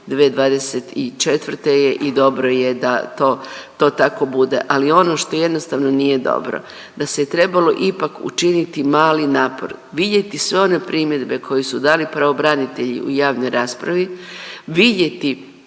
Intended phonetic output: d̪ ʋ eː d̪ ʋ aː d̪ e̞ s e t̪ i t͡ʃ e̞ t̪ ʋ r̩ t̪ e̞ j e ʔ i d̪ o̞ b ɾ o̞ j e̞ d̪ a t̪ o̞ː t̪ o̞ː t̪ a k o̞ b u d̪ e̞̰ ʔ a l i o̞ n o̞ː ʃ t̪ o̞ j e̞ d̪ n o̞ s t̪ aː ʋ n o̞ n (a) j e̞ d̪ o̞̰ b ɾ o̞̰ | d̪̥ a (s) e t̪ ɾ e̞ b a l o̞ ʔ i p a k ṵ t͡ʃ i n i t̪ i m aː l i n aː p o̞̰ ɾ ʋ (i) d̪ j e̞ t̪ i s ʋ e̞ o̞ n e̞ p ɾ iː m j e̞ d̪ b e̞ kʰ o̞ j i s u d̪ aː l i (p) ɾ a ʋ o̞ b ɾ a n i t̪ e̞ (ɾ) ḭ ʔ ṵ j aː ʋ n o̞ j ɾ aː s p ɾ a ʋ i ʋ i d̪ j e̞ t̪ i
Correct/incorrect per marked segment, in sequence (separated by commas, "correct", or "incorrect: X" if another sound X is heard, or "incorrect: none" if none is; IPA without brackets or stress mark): incorrect: i, correct, correct, correct, incorrect: ʎ